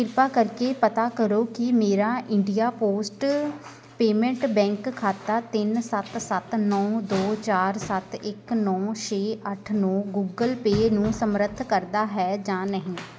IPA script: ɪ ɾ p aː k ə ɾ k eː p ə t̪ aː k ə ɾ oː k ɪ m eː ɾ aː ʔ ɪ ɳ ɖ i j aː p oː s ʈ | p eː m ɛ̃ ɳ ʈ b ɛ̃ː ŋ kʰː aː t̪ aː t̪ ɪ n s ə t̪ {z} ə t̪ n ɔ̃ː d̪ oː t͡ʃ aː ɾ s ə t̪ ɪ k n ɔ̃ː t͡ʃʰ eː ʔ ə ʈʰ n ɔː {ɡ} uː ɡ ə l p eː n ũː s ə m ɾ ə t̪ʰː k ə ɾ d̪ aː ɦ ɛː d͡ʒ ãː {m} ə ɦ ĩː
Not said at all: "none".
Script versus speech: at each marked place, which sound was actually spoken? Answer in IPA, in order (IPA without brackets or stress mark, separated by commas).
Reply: s, ɡ, n